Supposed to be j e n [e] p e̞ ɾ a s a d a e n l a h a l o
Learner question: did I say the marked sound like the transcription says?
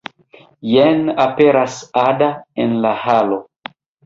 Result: no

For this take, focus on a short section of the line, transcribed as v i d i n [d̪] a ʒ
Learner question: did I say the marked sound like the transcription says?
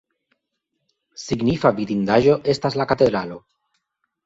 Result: yes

